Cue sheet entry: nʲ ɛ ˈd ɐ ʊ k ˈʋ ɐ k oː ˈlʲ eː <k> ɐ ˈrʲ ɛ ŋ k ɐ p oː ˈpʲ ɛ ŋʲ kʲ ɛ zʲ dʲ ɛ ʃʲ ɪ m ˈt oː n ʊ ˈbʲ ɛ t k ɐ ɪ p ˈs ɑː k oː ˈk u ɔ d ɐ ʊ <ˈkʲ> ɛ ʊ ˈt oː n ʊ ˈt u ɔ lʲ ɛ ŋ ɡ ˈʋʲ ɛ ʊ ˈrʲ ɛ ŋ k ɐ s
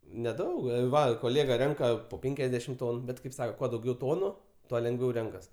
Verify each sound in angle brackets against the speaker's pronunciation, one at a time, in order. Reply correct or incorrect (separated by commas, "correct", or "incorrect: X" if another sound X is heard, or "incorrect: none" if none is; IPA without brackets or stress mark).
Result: incorrect: ɡ, incorrect: ɡʲ